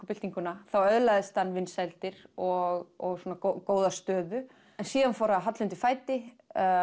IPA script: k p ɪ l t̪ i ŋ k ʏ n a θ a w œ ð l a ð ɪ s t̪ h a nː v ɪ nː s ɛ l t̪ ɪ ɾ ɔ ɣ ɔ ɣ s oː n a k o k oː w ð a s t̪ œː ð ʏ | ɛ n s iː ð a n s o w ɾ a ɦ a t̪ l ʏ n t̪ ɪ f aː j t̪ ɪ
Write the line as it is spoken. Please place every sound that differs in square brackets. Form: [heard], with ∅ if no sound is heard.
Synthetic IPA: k p ɪ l t̪ i ŋ k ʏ n a θ a w œ ð l a ð ɪ s t̪ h a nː v ɪ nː s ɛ l t̪ ɪ ɾ ɔ ɣ ɔ ɣ s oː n a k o k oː w ð a s t̪ œː ð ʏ | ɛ n s iː ð a n [f] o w ɾ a ɦ a t̪ l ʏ n t̪ ɪ f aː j t̪ ɪ

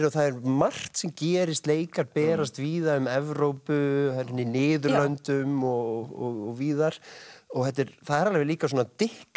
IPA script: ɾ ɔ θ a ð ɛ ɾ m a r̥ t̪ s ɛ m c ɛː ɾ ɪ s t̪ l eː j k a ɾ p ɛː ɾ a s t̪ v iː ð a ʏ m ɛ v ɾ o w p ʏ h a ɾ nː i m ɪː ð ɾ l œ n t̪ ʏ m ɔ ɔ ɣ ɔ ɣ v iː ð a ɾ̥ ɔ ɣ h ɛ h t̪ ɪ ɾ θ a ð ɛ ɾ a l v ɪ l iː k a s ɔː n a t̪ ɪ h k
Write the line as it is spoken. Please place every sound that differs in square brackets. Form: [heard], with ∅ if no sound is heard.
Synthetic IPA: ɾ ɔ θ a ð ɛ ɾ m a r̥ t̪ s ɛ m c ɛː ɾ ɪ s t̪ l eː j k a ɾ p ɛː ɾ a s t̪ v iː ð a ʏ m ɛ v ɾ o w p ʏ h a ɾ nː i [n] ɪː ð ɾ l œ n t̪ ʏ m ɔ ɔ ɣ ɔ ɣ v iː ð a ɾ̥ ɔ ɣ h ɛ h t̪ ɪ ɾ θ a ð ɛ ɾ a l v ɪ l iː k a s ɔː n a t̪ ɪ h k

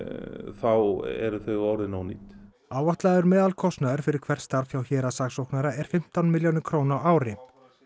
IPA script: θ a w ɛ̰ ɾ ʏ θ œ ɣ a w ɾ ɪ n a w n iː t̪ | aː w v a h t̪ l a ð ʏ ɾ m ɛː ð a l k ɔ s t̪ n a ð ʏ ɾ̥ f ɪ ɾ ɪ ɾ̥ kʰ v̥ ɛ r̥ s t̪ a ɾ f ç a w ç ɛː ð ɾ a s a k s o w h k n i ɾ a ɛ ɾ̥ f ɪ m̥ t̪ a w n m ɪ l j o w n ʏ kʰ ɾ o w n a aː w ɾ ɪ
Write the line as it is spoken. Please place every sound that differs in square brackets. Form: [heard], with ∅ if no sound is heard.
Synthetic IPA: θ a w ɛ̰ ɾ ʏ θ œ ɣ a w ɾ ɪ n a w n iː t̪ | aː w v a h t̪ l a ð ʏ ɾ m ɛː ð a l [kʰ] ɔ s t̪ n a ð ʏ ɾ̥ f ɪ ɾ ɪ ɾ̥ kʰ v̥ ɛ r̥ s t̪ a ɾ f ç a w ç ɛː [∅] ɾ a s a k s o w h k n [a] ɾ a ɛ ɾ̥ f ɪ m̥ t̪ a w n m ɪ l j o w n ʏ kʰ ɾ o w n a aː w ɾ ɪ

